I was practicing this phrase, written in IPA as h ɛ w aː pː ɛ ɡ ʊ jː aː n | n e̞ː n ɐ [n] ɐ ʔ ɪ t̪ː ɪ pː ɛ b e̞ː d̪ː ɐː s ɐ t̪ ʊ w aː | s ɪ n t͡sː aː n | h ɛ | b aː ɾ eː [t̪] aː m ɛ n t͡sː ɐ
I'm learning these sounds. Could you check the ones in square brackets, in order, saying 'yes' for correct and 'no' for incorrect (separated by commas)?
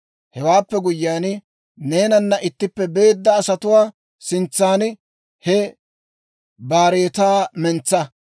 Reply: no, yes